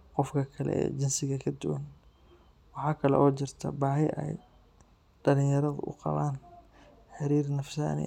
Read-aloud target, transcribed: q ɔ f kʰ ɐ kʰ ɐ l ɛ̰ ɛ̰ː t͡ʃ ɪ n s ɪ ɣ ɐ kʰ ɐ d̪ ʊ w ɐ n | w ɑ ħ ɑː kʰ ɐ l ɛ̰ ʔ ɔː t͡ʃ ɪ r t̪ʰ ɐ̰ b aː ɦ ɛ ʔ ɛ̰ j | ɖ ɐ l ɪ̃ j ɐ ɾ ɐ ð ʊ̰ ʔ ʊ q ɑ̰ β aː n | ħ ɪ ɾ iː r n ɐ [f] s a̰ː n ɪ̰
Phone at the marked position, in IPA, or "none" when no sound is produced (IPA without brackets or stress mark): f